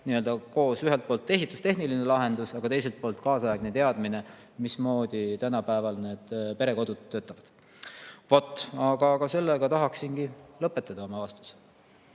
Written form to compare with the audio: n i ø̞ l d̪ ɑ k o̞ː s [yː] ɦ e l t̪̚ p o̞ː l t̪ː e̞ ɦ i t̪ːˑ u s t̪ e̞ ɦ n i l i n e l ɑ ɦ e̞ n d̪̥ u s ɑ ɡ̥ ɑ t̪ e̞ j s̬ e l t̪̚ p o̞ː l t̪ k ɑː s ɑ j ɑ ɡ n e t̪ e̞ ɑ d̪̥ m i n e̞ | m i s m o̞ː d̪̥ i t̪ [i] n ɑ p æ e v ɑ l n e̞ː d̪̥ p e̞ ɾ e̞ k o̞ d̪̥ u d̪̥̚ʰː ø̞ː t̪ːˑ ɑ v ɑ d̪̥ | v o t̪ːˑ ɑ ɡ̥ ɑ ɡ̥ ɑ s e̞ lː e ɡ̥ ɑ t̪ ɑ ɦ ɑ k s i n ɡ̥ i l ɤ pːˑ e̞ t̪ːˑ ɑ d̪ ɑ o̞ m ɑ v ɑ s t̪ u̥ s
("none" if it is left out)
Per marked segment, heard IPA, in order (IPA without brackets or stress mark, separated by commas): y, æ